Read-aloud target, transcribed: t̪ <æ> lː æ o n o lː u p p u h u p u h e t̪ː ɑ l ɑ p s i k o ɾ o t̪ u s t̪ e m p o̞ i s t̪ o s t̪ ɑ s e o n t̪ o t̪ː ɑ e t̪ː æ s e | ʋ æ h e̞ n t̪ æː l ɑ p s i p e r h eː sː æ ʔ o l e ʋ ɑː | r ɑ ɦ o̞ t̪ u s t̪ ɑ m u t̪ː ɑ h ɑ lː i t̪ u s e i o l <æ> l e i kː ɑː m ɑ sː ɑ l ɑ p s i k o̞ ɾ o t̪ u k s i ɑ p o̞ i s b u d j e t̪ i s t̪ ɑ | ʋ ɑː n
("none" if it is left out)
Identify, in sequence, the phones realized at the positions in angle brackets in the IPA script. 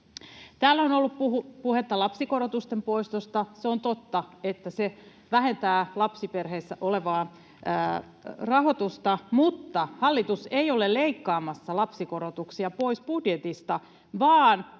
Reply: æː, e

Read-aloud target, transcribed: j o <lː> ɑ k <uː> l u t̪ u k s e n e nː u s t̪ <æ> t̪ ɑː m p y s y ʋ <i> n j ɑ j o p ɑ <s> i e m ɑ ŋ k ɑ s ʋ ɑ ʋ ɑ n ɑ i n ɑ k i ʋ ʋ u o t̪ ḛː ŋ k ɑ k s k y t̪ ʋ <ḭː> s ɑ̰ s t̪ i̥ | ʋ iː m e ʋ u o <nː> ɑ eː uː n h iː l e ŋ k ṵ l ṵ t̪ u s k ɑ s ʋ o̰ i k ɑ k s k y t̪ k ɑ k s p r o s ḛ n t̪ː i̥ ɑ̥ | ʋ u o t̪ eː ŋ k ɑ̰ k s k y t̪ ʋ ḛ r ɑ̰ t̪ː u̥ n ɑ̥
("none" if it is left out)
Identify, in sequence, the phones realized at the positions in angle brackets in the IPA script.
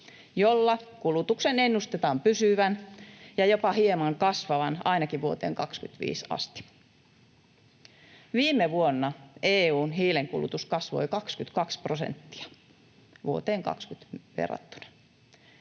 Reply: lː, u, e, æ, h, ḭː, nː

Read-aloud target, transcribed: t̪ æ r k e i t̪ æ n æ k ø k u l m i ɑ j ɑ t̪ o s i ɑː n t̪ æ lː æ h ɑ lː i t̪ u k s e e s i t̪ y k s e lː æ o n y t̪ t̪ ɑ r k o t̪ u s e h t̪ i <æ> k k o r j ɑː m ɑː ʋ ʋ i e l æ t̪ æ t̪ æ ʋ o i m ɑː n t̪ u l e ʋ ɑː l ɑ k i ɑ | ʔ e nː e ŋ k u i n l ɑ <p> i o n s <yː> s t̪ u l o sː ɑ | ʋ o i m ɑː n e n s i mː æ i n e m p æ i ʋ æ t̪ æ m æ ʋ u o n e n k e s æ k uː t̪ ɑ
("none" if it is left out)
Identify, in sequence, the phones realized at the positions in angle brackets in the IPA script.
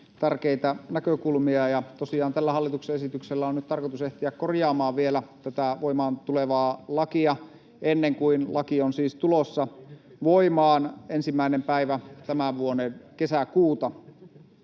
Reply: æ, k, iː

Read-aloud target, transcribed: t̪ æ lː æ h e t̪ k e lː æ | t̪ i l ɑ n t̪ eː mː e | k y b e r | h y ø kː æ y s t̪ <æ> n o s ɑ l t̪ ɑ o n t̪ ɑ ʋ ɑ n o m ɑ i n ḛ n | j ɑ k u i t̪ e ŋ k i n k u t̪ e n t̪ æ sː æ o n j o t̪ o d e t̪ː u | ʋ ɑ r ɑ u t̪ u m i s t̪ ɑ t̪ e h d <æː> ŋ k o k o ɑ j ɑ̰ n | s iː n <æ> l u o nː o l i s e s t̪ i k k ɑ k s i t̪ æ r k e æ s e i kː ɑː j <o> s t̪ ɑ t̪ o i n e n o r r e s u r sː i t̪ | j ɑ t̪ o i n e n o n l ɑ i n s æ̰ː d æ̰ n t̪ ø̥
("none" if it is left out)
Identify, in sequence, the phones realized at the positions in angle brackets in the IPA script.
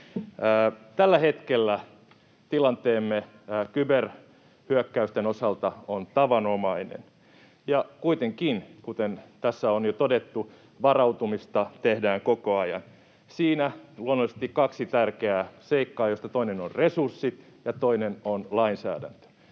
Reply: e, æː, æ, o

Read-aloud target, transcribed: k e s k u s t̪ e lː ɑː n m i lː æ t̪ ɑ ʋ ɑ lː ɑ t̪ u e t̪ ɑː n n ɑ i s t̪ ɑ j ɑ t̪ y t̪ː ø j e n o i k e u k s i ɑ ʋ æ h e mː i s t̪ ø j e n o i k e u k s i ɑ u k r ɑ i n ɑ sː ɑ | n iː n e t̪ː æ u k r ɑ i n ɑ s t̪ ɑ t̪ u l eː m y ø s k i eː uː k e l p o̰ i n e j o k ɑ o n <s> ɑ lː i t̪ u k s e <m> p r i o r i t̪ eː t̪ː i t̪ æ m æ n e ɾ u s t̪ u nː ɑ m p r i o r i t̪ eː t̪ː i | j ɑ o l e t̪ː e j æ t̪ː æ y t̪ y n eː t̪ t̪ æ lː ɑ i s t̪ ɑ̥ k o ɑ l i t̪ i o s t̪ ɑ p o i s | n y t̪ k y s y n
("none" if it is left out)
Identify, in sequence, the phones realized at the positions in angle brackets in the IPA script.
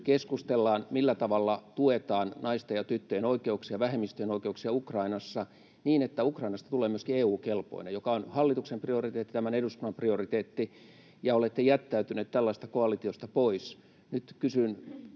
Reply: h, m

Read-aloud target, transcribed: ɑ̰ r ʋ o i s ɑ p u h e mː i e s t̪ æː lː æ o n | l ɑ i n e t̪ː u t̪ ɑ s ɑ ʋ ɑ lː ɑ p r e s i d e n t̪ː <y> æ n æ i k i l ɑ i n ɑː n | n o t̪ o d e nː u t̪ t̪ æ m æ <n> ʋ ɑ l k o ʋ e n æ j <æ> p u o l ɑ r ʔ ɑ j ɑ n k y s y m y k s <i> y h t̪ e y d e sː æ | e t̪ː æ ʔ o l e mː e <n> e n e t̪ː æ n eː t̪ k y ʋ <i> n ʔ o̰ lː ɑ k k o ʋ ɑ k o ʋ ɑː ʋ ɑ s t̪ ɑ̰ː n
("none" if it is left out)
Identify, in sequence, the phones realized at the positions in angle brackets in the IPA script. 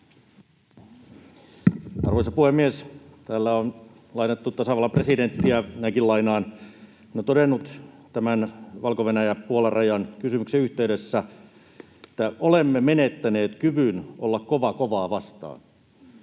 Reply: i, n, æ, e, m, y

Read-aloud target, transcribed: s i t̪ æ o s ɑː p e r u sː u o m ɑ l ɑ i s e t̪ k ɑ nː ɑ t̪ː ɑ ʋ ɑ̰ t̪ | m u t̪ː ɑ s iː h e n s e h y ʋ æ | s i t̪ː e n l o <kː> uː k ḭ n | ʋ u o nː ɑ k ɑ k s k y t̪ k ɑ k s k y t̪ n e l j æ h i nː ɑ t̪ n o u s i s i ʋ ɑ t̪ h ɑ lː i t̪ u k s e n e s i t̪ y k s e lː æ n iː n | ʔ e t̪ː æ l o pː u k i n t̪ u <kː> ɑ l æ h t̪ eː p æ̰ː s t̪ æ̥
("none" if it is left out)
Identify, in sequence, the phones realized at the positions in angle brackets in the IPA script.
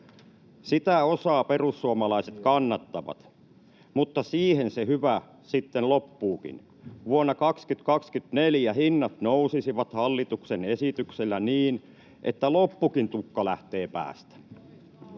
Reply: pː, kː

